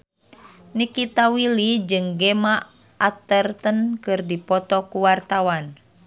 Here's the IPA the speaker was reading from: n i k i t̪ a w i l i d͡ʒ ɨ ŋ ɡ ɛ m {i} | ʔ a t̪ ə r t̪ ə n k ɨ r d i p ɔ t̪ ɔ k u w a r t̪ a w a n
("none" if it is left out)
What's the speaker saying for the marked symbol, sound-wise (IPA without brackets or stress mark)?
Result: a